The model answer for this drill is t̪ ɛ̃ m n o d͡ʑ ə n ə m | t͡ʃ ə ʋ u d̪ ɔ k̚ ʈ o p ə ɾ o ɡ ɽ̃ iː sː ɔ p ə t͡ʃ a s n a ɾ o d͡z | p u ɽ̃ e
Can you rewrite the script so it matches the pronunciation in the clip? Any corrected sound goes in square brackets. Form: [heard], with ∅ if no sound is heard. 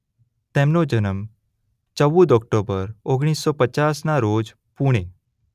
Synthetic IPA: t̪ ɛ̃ m n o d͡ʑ ə n ə m | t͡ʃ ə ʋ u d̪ ɔ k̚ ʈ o [b] ə ɾ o ɡ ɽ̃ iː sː ɔ p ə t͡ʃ a s n a ɾ o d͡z | p u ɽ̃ e